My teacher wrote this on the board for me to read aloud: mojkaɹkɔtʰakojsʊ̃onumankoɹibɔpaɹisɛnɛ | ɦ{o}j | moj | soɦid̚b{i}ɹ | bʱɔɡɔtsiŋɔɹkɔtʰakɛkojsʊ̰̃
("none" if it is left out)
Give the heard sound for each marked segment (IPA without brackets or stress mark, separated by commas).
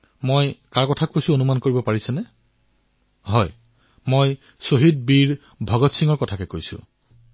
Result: ɔ, i